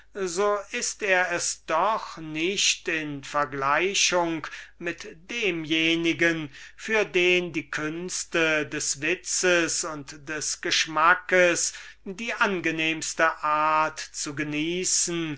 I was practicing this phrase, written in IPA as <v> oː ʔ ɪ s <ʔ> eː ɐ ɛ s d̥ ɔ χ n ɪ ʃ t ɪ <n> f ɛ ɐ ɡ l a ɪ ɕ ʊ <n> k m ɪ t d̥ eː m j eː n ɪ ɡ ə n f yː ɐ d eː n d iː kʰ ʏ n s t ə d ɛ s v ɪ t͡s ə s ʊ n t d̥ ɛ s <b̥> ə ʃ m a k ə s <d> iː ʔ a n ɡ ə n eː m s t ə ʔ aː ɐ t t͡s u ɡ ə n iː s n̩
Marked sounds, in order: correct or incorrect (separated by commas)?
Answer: incorrect, incorrect, correct, incorrect, incorrect, correct